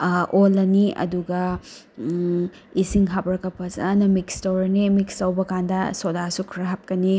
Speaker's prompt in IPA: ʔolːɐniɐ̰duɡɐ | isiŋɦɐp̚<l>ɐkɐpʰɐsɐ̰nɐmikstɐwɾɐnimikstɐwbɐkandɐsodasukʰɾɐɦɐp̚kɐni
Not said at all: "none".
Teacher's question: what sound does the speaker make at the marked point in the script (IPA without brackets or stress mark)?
ɾ